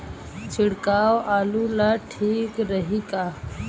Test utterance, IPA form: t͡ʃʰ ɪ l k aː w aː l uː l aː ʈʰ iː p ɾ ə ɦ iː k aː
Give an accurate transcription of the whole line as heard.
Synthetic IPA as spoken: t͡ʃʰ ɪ ɽ k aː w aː l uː l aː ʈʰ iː k ɾ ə ɦ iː k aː